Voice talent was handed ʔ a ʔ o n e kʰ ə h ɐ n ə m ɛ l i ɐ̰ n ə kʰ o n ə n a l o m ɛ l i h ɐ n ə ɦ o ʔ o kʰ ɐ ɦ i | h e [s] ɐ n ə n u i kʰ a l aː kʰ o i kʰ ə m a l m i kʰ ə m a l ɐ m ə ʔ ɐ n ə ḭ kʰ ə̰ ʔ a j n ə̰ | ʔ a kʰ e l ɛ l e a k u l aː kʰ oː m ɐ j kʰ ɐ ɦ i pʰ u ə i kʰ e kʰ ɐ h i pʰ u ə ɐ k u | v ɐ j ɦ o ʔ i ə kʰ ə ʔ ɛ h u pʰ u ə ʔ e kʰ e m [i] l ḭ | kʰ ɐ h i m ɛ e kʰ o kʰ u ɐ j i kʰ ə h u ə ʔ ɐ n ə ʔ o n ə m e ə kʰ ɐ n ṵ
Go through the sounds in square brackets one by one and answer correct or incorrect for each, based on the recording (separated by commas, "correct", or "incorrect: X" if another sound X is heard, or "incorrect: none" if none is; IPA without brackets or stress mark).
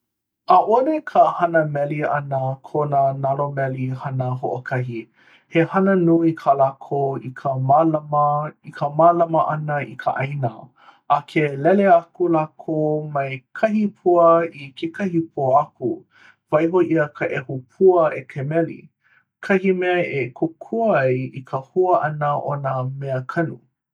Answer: incorrect: h, incorrect: ɛ